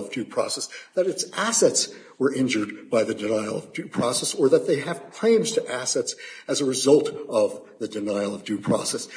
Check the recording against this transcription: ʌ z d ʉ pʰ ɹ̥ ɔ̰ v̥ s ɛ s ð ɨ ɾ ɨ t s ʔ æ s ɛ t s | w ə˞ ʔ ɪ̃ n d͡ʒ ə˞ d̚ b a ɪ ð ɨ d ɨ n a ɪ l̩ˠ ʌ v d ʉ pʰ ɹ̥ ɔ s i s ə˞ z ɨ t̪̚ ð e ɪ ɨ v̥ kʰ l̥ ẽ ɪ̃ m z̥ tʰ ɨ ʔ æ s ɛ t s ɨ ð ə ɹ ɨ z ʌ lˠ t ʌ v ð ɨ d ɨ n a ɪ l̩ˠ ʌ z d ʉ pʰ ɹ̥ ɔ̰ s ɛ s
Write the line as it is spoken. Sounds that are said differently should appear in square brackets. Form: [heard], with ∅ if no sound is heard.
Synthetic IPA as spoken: ʌ [v] d ʉ pʰ ɹ̥ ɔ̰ [∅] s ɛ s ð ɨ ɾ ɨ t s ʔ æ s ɛ t s | w ə˞ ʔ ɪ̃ n d͡ʒ ə˞ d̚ b a ɪ ð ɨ d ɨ n a ɪ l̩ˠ ʌ v d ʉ pʰ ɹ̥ ɔ s [ɛ] s ə˞ [ð] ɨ t̪̚ ð e ɪ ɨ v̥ kʰ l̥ ẽ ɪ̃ m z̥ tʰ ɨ ʔ æ s ɛ t s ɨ [z] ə ɹ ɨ z ʌ lˠ t ʌ v ð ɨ d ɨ n a ɪ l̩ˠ ʌ [v] d ʉ pʰ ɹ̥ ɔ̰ s ɛ s